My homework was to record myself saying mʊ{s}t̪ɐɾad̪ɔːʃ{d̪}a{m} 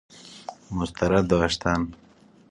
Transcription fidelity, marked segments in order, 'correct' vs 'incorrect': correct, incorrect: t̪, incorrect: n

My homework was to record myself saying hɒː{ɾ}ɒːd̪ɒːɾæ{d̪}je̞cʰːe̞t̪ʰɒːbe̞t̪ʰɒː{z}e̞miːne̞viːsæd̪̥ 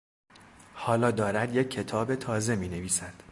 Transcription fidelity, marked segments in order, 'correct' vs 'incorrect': incorrect: l, correct, correct

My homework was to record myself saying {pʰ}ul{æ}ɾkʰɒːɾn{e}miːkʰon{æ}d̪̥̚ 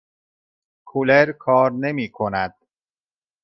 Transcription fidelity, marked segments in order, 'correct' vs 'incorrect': incorrect: kʰ, incorrect: e, correct, correct

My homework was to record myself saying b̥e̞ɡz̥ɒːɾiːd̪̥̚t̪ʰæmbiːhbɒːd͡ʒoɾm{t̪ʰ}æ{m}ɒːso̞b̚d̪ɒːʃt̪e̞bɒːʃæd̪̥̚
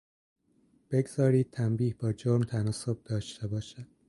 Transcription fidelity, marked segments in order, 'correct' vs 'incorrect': correct, incorrect: n

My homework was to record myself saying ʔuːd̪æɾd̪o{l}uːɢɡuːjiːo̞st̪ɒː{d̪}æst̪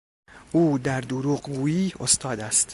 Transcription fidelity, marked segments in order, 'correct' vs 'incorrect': incorrect: ɾ, correct

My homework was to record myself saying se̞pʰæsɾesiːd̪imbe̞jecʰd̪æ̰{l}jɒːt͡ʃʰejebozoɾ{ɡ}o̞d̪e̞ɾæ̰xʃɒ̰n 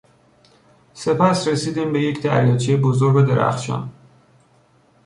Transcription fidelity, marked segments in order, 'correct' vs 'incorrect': incorrect: ɾ, correct

